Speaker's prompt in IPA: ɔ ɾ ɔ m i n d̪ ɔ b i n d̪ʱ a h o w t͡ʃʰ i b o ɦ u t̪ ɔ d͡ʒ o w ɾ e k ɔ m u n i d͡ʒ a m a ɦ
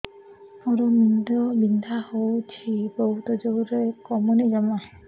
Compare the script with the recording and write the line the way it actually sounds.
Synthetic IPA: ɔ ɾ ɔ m i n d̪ ɔ b i n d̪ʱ a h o w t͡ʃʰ i b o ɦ u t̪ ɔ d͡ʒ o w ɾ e k ɔ m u n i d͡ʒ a m a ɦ